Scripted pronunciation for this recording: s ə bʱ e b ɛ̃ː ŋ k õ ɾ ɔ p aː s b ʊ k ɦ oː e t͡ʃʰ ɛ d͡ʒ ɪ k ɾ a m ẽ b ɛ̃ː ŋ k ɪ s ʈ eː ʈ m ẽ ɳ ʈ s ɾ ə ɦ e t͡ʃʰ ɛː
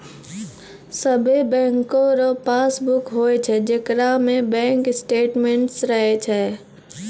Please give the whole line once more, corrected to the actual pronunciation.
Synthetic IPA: s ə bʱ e b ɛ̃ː ŋ k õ ɾ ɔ p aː s b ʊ k ɦ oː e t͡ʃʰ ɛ d͡ʒ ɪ k ɾ a m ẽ b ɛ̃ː ŋ k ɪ s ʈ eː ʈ m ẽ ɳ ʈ s ɾ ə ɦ e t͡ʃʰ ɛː